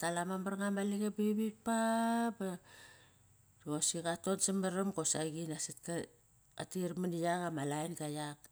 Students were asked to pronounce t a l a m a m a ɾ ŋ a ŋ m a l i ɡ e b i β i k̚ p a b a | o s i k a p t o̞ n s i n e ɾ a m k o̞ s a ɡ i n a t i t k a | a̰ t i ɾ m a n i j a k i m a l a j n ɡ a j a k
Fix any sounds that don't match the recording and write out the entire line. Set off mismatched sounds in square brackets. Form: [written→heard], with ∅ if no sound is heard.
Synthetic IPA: t a l a m a m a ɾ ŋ a [ŋ→∅] m a l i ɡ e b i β i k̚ p a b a | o s i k a [p→∅] t o̞ n s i [n→m] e ɾ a m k o̞ s a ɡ i n a [t→s] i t k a | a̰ t i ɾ m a n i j a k [i→a] m a l a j n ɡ a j a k